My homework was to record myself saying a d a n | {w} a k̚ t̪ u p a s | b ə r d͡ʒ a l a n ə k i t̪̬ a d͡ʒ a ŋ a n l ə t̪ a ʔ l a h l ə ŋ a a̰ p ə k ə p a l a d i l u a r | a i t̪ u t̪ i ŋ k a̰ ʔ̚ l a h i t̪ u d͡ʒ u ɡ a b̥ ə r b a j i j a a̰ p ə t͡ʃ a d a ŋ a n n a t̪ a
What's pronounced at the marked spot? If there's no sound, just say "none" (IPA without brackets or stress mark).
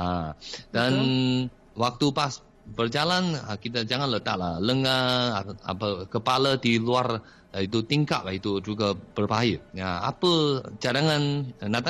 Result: w